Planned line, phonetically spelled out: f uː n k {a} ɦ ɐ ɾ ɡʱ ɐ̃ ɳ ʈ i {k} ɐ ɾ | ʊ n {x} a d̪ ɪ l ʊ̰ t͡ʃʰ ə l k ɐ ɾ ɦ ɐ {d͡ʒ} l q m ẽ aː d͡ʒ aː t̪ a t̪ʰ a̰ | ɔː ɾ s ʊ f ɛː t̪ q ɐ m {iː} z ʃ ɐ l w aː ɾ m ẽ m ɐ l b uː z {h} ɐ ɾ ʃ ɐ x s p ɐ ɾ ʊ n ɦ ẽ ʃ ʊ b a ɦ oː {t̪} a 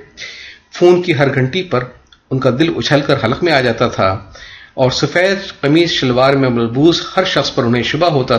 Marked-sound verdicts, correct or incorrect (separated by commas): incorrect, incorrect, incorrect, incorrect, correct, correct, correct